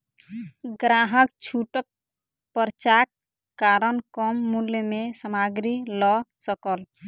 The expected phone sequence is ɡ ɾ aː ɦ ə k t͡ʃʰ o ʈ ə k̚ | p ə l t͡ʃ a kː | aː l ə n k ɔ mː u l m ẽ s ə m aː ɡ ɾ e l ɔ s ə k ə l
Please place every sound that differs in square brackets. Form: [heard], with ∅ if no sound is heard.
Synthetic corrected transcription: ɡ ɾ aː ɦ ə k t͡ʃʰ [u] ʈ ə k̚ | p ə [ɾ] t͡ʃ a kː | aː [ɾ] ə n k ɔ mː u l m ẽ s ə m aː ɡ ɾ [i] l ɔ s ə k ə l